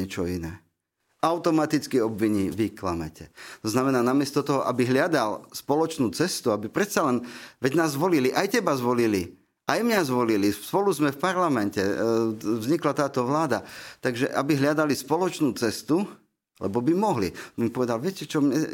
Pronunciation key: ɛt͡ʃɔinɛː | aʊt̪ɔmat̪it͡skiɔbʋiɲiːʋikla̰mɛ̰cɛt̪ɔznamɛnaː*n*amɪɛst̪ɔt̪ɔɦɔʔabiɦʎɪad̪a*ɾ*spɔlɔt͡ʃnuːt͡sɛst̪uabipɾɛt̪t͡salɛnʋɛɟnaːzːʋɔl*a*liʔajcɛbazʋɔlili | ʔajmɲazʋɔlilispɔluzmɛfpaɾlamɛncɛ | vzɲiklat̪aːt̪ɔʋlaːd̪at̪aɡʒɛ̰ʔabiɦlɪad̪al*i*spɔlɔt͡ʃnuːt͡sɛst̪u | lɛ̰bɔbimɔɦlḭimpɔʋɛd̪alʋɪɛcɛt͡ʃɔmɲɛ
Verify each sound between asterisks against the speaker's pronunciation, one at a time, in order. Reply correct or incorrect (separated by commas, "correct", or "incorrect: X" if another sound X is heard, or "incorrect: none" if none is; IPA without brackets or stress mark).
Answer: correct, incorrect: l, incorrect: i, correct